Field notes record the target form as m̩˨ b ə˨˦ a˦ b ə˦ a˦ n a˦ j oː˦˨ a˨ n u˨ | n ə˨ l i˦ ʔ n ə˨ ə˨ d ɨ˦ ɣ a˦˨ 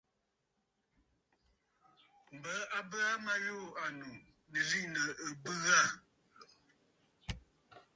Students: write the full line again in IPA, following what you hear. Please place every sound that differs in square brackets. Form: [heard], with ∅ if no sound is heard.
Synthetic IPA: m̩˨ b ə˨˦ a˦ b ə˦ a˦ [m] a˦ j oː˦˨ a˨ n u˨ | n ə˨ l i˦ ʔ n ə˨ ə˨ [b] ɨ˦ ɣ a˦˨